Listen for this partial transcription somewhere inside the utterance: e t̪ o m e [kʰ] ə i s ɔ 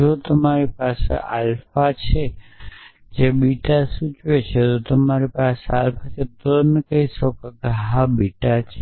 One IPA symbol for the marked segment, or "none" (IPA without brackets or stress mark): k